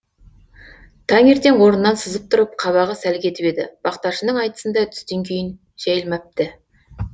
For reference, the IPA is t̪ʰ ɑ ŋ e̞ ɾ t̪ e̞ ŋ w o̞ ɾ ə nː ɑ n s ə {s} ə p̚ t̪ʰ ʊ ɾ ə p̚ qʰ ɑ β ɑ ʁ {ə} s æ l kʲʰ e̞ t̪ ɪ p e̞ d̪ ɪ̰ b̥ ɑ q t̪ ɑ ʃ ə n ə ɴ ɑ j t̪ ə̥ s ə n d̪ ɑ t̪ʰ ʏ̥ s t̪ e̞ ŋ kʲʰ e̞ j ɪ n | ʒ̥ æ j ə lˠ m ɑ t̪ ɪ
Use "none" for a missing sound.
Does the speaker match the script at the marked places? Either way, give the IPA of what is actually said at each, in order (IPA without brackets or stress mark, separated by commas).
z, ə